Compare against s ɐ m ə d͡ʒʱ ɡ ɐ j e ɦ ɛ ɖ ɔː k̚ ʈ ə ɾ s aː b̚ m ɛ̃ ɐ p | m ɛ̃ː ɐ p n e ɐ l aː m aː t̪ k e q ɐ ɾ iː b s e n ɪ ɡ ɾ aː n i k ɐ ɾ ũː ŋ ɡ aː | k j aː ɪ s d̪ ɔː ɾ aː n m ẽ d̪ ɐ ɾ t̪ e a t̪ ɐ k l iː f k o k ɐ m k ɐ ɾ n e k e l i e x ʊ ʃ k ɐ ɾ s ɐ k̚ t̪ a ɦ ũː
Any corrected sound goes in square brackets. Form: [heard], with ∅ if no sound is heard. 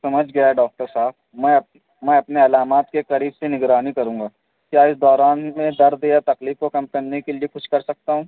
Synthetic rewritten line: s ɐ m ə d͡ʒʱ ɡ ɐ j [a] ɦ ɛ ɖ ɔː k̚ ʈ ə ɾ s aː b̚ m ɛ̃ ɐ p | m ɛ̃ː ɐ p n e ɐ l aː m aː t̪ k e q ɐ ɾ iː b s e n ɪ ɡ ɾ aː n i k ɐ ɾ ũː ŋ ɡ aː | k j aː ɪ s d̪ ɔː ɾ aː n m ẽ d̪ ɐ ɾ [d̪] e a t̪ ɐ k l iː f k o k ɐ m k ɐ ɾ n e k e l i e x ʊ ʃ k ɐ ɾ s ɐ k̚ t̪ a ɦ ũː